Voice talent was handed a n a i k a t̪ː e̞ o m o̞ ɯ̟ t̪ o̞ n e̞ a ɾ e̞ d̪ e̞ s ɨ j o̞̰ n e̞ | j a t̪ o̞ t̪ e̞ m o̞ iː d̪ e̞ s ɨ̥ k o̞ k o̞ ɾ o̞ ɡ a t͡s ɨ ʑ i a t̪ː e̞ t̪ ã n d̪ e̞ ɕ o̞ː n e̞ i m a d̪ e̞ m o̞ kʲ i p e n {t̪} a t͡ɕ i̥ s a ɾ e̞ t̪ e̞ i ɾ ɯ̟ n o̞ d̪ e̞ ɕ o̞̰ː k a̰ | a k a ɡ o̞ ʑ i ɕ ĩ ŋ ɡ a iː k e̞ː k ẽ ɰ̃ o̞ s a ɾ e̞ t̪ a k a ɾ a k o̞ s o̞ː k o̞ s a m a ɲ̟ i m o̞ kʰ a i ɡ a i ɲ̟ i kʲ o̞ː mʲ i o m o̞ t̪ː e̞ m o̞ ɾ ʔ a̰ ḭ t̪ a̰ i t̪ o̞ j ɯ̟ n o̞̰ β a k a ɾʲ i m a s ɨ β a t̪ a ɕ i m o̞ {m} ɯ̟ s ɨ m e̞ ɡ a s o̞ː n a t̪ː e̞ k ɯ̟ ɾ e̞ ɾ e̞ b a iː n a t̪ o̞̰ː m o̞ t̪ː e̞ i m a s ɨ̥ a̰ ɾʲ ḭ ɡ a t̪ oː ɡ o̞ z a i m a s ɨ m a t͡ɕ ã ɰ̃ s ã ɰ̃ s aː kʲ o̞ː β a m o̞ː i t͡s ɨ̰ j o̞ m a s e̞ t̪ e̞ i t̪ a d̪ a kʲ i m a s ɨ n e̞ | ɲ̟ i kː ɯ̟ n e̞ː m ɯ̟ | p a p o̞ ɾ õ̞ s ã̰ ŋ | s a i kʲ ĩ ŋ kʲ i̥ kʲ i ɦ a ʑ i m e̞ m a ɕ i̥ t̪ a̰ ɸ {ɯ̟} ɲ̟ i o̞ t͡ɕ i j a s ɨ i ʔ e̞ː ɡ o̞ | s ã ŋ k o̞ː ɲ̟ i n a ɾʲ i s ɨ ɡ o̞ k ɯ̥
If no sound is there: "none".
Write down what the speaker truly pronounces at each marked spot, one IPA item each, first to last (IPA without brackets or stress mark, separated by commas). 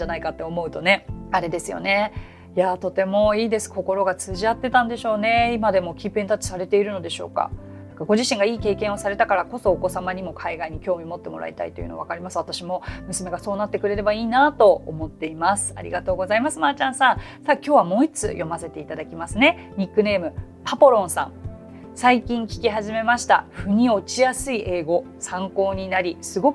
t̪, m, ɯ̟